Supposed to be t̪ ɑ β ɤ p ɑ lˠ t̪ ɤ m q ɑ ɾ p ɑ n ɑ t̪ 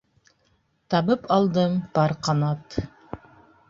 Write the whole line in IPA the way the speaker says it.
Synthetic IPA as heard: t̪ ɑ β ɤ p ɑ lˠ d̪ ɤ m p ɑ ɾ q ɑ n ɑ t̪